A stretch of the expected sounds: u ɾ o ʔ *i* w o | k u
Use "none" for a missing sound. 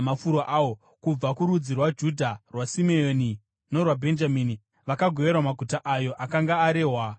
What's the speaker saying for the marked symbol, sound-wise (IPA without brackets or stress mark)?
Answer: a